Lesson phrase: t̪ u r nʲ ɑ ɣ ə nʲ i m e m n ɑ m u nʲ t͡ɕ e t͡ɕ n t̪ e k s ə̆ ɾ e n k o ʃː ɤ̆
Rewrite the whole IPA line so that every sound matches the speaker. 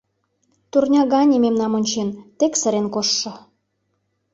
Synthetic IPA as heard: t̪ u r nʲ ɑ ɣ ɑ nʲ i m e m n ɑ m o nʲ t͡ɕ e n t̪ e k s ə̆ ɾ e n k o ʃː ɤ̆